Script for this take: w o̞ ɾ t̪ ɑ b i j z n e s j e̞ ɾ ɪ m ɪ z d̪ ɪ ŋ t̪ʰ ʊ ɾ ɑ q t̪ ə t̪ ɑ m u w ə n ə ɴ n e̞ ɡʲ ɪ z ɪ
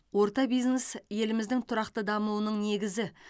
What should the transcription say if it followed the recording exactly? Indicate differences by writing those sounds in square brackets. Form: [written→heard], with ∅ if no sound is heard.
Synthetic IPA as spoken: w o̞ ɾ t̪ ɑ b i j z n e s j e̞ [ɾ→l] ɪ m ɪ z d̪ ɪ ŋ t̪ʰ ʊ ɾ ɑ q t̪ ə [t̪→d̪] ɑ m u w ə n ə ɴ n e̞ ɡʲ ɪ z ɪ